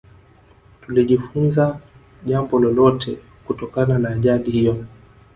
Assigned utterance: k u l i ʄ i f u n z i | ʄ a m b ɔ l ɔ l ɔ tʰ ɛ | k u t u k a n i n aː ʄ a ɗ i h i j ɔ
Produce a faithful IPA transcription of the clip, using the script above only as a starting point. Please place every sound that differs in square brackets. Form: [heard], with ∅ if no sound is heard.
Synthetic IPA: [t] u l i ʄ i f u n z [a] | ʄ a m b ɔ l ɔ l ɔ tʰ ɛ | k u t [ɔ] k a n [a] n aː ʄ a ɗ i h i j ɔ